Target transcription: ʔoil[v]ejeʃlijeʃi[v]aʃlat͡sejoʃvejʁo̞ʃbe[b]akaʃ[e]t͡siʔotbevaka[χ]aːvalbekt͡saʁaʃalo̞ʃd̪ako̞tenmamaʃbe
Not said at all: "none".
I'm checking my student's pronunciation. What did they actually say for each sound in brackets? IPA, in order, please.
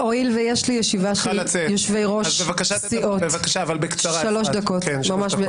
v, v, v, a, ʃ

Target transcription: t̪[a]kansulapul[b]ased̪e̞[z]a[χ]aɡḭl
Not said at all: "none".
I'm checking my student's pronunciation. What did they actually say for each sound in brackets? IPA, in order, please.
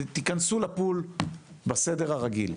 i, b, ʁ, ʁ

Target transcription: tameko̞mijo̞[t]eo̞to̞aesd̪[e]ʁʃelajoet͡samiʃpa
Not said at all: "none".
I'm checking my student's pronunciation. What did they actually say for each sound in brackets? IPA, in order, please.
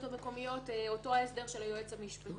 t, e

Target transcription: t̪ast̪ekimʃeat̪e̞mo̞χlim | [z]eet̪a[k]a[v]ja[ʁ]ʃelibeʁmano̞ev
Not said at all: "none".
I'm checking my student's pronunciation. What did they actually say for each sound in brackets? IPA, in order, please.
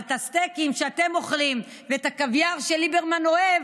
v, k, v, ʁ

